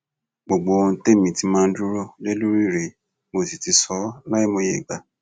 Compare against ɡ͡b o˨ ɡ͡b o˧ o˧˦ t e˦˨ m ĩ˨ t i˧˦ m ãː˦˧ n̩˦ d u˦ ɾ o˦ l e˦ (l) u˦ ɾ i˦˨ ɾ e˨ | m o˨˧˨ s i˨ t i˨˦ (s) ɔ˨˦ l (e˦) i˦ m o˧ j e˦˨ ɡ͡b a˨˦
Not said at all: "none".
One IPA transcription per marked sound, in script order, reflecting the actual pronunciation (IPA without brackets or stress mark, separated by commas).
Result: l, s, a˦